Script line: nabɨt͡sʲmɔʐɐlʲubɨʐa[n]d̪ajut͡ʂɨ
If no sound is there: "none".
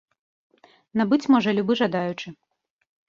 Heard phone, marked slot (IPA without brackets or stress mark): none